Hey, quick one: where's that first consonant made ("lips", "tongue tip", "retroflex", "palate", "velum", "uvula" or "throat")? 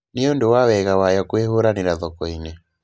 tongue tip